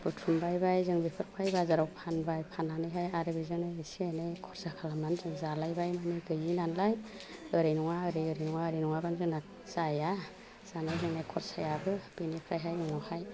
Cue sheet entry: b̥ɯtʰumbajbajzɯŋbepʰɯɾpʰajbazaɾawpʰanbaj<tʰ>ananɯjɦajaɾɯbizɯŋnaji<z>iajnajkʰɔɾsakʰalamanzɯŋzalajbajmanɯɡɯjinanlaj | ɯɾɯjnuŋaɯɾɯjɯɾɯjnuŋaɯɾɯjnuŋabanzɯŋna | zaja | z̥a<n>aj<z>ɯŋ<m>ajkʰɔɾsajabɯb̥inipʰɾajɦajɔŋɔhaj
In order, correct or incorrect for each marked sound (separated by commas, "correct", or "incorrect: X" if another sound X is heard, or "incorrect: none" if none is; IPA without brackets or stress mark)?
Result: incorrect: pʰ, incorrect: s, correct, correct, incorrect: n